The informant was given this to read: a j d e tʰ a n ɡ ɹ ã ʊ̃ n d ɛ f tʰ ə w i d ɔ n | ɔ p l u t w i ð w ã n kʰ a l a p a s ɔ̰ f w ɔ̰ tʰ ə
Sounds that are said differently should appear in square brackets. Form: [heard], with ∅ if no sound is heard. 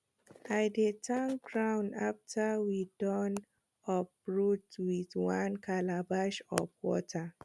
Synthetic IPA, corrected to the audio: a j d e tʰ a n ɡ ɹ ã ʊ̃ n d [a] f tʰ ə w i d ɔ n | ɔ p [ɹ] u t w i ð w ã n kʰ a l a [b] a [ʃ] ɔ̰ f w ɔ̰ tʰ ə